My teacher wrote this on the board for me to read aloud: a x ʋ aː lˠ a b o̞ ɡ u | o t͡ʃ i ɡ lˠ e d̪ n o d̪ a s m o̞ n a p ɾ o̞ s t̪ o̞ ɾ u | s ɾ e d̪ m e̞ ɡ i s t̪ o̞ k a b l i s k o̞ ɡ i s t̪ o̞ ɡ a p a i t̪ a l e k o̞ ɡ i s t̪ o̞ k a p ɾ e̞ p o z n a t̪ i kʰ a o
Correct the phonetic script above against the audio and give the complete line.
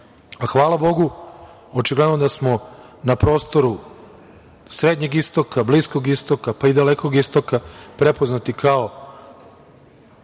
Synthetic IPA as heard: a x ʋ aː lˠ a b o̞ ɡ u | o t͡ʃ i ɡ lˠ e d̪ n o d̪ a s m o̞ n a p ɾ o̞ s t̪ o̞ ɾ u | s ɾ e d̪ ɲ e̞ ɡ i s t̪ o̞ k a b l i s k o̞ ɡ i s t̪ o̞ k a p a i d̪ a l e k o̞ ɡ i s t̪ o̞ k a p ɾ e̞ p o z n a t̪ i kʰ a o